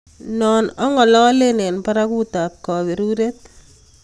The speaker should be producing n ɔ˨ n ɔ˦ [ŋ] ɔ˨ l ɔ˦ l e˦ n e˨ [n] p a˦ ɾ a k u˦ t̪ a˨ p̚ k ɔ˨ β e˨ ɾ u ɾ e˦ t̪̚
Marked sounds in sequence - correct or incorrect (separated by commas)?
correct, correct